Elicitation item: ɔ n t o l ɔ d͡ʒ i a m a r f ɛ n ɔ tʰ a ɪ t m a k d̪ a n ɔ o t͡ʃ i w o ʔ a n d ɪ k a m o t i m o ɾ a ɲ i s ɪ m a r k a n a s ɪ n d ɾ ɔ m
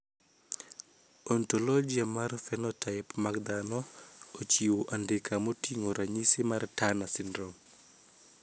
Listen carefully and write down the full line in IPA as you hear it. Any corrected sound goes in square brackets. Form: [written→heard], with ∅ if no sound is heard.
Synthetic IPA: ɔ n t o l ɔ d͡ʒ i a m a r f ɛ n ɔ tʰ a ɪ [t→p] m a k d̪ a n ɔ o t͡ʃ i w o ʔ a n d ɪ k a m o t i [m→ŋ] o ɾ a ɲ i s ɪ m a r [k→t] a n a s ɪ n d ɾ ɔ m